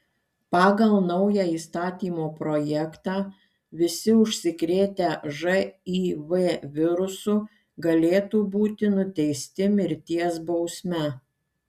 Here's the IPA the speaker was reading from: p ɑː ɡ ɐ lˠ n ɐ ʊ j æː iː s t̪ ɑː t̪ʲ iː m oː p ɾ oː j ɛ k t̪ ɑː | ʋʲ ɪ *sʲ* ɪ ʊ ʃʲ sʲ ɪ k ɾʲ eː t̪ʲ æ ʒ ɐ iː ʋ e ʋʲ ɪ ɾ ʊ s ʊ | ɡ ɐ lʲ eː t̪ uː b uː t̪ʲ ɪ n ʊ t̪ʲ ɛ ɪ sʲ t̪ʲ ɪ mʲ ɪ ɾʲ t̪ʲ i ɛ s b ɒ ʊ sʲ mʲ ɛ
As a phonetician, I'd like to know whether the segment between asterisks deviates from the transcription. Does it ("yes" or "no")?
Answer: no